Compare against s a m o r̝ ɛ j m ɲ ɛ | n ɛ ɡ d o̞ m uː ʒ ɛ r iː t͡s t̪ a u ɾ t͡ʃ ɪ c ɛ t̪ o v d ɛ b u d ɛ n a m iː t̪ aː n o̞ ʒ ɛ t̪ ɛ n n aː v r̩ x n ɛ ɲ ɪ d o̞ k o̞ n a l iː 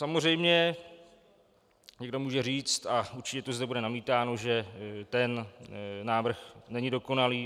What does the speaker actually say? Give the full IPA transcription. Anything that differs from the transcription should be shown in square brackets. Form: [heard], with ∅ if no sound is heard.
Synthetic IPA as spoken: s a m o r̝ ɛ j m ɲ ɛ | [ɲ] ɛ ɡ d o̞ m uː ʒ ɛ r iː t͡s t̪ a u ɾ t͡ʃ ɪ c ɛ t̪ o [z] d ɛ b u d ɛ n a m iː t̪ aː n o̞ ʒ ɛ t̪ ɛ n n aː v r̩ x n ɛ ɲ ɪ d o̞ k o̞ n a l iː